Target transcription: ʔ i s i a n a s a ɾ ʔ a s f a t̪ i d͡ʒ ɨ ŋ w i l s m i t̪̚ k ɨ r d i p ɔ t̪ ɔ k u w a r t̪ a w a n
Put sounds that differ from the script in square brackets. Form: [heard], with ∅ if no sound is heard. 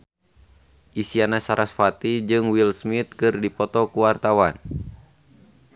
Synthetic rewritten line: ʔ i s i a n a s a ɾ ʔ a s f a t̪ i d͡ʒ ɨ ŋ w i l s m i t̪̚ k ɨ r d i p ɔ t̪ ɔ k u w a r t̪ a w a n